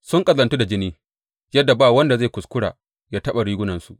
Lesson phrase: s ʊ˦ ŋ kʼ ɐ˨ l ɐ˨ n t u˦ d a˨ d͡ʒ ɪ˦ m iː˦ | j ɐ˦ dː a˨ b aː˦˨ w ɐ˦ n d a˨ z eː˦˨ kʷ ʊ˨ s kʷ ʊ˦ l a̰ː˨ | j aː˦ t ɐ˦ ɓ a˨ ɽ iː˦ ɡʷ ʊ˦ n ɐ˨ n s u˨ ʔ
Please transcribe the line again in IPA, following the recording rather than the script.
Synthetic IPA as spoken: s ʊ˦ ŋ kʼ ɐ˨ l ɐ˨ n t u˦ d a˨ d͡ʒ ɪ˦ n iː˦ | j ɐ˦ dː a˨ b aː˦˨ w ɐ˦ n d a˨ z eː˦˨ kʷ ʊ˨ s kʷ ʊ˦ ɽ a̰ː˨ | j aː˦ t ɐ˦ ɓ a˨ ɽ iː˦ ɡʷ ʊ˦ n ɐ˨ n s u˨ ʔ

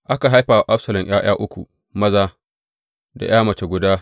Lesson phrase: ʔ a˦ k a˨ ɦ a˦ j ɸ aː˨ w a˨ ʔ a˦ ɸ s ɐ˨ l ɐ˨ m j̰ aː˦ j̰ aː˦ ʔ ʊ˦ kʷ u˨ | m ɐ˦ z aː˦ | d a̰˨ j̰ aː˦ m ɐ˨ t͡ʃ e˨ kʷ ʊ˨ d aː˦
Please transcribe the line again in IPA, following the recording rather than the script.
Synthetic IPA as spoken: ʔ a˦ k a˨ ɦ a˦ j ɸ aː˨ w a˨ ʔ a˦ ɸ s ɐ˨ l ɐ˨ m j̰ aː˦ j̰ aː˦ ʔ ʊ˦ kʷ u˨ | m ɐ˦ z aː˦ | d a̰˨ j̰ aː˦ m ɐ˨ t͡ʃ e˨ ɡʷ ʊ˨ d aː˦

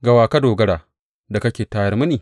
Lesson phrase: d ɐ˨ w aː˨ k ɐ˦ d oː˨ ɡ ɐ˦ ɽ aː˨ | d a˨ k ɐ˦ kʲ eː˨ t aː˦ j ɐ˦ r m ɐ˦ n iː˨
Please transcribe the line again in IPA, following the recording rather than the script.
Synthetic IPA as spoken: ɡ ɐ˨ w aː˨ k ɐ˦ d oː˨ ɡ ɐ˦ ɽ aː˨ | d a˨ k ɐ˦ kʲ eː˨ t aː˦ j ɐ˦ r m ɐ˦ n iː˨

